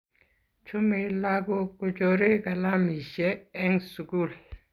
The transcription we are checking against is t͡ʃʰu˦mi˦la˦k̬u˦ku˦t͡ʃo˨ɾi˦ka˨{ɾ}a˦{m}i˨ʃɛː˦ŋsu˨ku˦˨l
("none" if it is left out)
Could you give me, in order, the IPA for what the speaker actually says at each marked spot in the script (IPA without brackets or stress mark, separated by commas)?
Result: l, m